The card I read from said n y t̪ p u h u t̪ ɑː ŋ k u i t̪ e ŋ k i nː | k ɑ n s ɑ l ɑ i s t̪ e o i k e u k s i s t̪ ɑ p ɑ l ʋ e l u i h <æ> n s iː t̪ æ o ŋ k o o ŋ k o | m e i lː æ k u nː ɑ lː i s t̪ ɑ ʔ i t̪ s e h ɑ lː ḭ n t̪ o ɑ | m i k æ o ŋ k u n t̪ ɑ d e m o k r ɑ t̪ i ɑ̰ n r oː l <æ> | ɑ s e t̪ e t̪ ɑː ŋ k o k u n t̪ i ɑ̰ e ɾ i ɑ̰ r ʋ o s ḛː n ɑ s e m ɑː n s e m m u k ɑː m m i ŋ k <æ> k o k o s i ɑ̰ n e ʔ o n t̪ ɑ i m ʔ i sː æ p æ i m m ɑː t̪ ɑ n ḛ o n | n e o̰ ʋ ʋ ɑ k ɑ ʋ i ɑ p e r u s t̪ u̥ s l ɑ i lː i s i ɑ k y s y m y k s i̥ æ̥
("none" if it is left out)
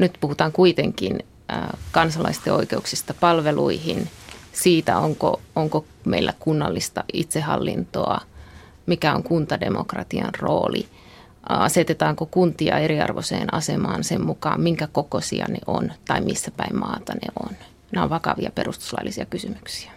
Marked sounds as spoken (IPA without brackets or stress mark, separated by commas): i, i, æ